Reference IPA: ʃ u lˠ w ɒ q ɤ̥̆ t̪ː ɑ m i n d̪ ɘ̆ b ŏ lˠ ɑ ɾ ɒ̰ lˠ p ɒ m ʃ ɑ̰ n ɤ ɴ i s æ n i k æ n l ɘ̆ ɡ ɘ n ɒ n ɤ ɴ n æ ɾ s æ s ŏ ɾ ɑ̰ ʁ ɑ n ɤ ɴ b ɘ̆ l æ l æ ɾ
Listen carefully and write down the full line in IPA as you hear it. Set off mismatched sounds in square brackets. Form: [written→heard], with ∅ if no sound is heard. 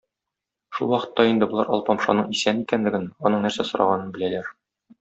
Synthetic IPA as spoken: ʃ u lˠ w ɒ q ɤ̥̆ t̪ː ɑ [m→∅] i n d̪ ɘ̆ b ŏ lˠ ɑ ɾ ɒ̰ lˠ p ɒ m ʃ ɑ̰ n ɤ ɴ i s æ n i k æ n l ɘ̆ ɡ ɘ n ɒ n ɤ ɴ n æ ɾ s æ s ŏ ɾ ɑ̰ ʁ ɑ n ɤ [ɴ→n] b ɘ̆ l æ l æ ɾ